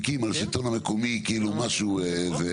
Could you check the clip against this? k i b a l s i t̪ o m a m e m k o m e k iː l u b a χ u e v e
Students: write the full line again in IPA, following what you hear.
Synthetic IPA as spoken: k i m a l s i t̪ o n a m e k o m i k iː l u m a ʃ u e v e

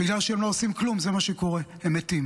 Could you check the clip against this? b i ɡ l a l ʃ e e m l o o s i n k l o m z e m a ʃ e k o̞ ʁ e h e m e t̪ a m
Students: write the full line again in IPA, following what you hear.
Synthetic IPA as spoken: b i ɡ l a l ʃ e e m l o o s i m k l u m z e m a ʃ e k o̞ ʁ e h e m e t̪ i m

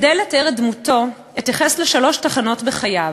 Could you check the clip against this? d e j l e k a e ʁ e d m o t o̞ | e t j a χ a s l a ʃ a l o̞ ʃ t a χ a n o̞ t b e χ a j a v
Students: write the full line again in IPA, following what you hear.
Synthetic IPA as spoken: d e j l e t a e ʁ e d m u t o̞ | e t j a χ e s l e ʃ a l o̞ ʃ t a χ a n o̞ t b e χ a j a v

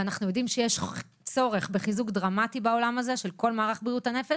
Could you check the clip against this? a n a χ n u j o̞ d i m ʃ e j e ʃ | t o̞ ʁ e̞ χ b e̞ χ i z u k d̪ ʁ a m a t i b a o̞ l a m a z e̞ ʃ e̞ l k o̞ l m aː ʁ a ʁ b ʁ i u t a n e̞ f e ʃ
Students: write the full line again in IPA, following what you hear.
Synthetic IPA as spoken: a n a χ n u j o̞ d i m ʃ e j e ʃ | t͡s o̞ ʁ e̞ χ b e̞ χ i z u k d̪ ʁ a m a t i b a o̞ l a m a z e̞ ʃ e̞ l k o̞ l m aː ʁ a χ b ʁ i u t a n e̞ f e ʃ

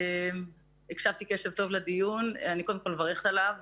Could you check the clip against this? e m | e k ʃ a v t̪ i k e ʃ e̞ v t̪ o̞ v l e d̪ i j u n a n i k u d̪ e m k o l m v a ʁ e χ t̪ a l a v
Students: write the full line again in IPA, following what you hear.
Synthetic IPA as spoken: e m | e k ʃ a v t̪ i k e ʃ e̞ v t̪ o̞ v l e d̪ i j u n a n i k o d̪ e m k o l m v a ʁ e χ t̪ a l a v

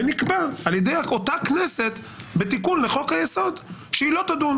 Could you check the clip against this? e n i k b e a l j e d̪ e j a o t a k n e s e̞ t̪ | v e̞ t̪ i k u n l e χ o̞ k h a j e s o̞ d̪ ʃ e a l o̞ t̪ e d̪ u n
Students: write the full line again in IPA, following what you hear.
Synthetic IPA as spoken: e n i k b a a l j e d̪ e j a o t a k n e s e̞ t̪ | b e̞ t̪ i k u n l e χ o̞ k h a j e s o̞ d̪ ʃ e i l o̞ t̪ a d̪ u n

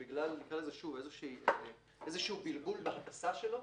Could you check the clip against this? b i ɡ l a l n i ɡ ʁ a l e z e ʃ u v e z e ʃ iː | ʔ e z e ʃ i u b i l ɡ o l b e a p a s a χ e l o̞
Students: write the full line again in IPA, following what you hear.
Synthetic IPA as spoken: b i ɡ l a l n i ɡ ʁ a l e z e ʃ u v e z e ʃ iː | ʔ e z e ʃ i u b i l ɡ u l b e a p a s a ʃ e l o̞

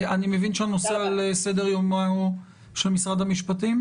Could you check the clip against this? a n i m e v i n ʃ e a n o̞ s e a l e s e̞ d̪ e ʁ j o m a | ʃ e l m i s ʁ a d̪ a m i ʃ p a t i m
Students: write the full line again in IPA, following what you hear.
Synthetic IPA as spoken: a n i m e v i n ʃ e a n o̞ s e a l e s e̞ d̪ e ʁ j o m a | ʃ e l m i s ʁ a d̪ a m i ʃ p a t i m

